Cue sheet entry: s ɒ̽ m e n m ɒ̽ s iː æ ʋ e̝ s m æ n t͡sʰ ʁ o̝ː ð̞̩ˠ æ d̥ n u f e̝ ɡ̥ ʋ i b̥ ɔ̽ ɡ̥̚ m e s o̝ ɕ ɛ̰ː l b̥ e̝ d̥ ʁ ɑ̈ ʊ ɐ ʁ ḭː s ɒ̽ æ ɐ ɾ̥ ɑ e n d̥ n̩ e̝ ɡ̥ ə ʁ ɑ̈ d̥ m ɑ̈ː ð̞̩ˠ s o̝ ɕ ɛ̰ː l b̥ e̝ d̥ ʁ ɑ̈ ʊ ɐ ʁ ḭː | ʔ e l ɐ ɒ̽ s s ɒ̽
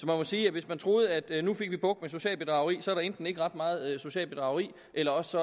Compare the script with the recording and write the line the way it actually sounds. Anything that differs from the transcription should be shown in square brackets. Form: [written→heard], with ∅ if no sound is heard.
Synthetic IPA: s ɒ̽ m [e→æ] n m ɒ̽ s iː æ ʋ e̝ s m æ n t͡sʰ ʁ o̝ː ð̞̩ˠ æ d̥ n u f e̝ ɡ̥ ʋ i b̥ ɔ̽ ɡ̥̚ m e s o̝ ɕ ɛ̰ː l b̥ e̝ d̥ ʁ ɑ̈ ʊ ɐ ʁ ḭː s ɒ̽ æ ɐ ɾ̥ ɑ e n d̥ n̩ e̝ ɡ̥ ə ʁ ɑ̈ d̥ m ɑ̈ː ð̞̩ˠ s o̝ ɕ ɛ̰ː l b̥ e̝ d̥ ʁ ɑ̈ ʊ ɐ ʁ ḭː | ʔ e l ɐ ɒ̽ s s ɒ̽